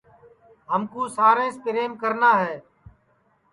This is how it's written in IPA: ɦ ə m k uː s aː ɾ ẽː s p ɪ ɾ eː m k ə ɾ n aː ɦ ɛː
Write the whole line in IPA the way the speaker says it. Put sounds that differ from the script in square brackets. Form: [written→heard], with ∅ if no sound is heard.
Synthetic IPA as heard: ɦ ə m k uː s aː ɾ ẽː s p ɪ ɾ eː m k ə ɾ n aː ɦ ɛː